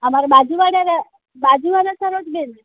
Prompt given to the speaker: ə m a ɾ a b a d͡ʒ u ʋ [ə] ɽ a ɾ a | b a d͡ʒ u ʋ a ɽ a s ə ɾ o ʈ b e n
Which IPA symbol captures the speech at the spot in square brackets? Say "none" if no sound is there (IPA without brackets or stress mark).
a